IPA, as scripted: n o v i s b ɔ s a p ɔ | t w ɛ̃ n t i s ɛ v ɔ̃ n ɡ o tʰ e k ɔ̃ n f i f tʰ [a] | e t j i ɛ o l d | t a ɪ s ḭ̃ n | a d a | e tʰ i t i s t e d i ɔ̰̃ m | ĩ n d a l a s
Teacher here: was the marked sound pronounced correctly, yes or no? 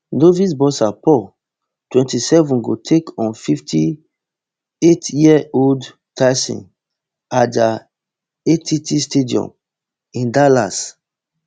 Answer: no